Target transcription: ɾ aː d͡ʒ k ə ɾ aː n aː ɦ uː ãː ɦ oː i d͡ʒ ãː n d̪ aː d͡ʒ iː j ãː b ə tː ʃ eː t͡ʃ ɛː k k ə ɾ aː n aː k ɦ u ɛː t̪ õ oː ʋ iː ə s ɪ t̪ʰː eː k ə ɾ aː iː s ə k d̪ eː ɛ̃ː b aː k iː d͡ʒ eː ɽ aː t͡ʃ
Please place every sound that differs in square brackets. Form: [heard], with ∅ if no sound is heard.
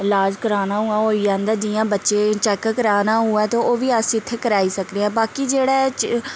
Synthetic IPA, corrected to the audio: [l] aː d͡ʒ k ə ɾ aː n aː ɦ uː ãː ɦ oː i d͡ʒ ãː n d̪ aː d͡ʒ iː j ãː b ə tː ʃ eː t͡ʃ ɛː k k ə ɾ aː n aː [∅] ɦ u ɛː t̪ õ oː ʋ iː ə s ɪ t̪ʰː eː k ə ɾ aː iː s ə k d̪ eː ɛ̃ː b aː k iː d͡ʒ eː ɽ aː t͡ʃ